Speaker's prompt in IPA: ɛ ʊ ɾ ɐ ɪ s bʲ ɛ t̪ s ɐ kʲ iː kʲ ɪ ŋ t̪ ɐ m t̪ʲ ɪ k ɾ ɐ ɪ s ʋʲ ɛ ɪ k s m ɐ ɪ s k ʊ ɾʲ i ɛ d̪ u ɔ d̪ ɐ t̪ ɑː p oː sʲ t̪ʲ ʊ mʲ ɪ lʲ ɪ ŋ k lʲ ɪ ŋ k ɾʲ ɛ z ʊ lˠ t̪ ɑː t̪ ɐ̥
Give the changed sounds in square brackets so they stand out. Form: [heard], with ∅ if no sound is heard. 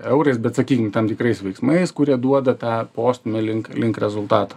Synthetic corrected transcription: ɛ ʊ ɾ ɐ ɪ s bʲ ɛ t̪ s ɐ kʲ iː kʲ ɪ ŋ t̪ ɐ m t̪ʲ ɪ k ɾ ɐ ɪ s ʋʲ ɛ ɪ k s m ɐ ɪ s k ʊ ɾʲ i ɛ d̪ u ɔ d̪ ɐ t̪ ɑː p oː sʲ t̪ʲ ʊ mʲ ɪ lʲ ɪ ŋ k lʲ ɪ ŋ k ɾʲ ɛ z ʊ lˠ t̪ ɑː t̪ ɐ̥